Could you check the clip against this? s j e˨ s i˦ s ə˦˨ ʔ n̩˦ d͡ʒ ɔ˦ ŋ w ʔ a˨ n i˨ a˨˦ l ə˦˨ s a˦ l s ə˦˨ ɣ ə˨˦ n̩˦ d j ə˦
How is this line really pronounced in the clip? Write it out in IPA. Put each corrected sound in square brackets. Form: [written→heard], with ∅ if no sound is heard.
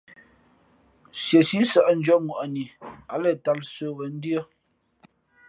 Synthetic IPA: s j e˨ s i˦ s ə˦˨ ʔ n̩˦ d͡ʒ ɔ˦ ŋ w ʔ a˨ n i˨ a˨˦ l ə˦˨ [s→t] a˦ l s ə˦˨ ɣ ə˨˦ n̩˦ d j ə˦